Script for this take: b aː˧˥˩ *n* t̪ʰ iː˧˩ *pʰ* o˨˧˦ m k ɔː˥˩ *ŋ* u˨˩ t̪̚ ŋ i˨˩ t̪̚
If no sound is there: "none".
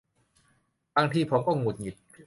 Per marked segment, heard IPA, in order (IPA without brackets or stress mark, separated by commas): ŋ, pʰ, ŋ